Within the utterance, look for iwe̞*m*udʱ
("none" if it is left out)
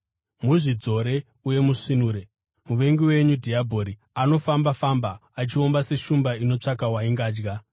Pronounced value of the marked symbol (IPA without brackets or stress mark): ɲ